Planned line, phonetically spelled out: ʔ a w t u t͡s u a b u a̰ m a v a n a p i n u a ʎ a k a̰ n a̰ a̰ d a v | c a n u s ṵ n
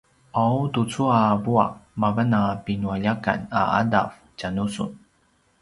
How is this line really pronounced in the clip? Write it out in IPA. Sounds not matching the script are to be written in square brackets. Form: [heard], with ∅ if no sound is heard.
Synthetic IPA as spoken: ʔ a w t u t͡s u a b u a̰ m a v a n a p i n u a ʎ a k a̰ n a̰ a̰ d a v | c a n u s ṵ n